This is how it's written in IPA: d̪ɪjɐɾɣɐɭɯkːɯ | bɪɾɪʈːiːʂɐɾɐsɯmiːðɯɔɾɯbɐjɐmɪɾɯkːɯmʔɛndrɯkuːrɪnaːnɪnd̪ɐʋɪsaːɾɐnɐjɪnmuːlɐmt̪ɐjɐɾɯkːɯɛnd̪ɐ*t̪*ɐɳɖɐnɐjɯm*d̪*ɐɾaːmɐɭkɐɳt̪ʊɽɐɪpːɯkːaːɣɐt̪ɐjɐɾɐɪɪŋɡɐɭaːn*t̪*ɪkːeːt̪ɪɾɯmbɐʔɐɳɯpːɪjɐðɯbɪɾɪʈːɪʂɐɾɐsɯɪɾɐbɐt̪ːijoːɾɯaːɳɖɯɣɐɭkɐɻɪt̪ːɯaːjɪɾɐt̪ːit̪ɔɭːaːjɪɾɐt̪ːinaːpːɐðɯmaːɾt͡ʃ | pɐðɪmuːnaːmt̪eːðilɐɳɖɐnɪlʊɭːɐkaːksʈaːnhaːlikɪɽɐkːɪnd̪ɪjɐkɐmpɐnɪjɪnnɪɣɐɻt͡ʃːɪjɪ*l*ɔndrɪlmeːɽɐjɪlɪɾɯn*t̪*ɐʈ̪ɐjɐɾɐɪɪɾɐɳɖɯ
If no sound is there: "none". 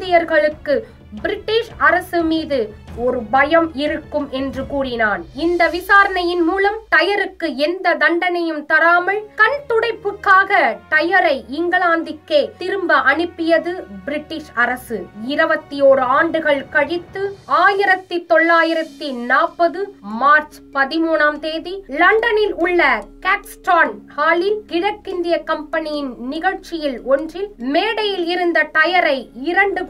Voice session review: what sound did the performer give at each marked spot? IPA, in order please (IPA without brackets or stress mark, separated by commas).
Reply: d̪, t̪, d̪, l, d̪